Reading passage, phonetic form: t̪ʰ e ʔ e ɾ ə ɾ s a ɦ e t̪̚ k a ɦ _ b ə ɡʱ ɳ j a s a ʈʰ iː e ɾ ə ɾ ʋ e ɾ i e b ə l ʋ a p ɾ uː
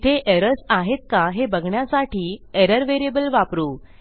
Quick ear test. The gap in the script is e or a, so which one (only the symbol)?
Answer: e